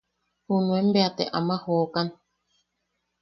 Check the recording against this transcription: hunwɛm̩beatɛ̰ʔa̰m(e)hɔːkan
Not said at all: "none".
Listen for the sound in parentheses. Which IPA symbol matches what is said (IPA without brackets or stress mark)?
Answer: a